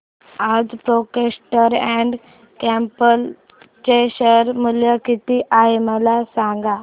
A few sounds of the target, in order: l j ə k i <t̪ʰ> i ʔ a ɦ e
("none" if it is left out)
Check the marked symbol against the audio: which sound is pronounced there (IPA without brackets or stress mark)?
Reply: t̪